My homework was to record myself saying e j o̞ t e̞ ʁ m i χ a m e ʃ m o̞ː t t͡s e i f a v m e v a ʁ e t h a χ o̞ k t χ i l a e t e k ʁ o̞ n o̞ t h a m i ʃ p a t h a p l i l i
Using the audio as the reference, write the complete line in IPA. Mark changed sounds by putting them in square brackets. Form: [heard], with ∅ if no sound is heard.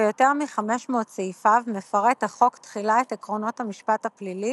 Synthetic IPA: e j o̞ t e̞ ʁ m i χ a m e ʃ m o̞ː t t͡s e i f a v m e [f] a ʁ e t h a χ o̞ k t χ i l a e t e k ʁ o̞ n o̞ t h a m i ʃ p a t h a p l i l i